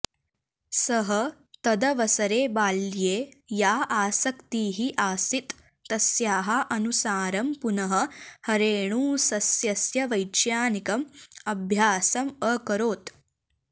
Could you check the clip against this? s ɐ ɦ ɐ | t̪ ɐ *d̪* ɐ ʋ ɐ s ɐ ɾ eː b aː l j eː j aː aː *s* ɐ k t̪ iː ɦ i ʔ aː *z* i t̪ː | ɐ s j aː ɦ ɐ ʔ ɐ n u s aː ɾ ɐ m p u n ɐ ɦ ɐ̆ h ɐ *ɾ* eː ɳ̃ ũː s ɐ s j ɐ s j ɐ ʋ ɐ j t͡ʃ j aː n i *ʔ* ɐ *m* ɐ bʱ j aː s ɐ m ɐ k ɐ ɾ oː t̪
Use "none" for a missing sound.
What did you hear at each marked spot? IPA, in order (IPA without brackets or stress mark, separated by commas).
d̪, s, s, ɾ, k, m